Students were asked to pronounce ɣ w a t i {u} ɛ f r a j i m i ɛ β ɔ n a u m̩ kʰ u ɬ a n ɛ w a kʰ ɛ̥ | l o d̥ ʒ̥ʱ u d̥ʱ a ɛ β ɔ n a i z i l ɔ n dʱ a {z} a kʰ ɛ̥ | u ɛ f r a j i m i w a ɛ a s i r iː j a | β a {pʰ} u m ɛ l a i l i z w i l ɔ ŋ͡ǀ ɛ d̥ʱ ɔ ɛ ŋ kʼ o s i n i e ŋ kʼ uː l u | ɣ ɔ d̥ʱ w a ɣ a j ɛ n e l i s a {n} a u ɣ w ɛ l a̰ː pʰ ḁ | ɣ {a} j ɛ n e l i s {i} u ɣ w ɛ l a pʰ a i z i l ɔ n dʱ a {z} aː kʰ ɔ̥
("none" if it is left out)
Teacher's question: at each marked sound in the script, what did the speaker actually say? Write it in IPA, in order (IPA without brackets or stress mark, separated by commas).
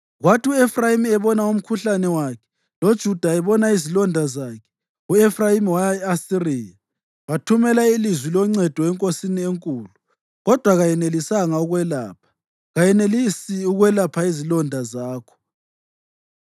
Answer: u, z, tʰ, ŋ, a, i, z